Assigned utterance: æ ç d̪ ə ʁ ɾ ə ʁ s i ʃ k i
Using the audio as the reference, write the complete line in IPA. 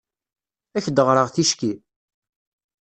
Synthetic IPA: æ ç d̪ ə ʁ ɾ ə ʁ θ i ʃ k i